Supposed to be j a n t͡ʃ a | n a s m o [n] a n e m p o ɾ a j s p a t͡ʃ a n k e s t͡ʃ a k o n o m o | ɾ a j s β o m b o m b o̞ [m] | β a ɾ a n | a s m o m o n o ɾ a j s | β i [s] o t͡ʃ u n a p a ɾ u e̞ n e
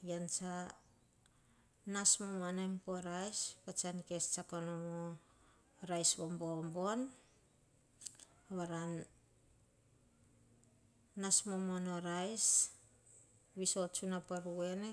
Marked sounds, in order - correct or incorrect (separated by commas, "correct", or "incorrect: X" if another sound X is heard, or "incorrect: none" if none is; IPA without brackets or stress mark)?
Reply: incorrect: m, incorrect: n, correct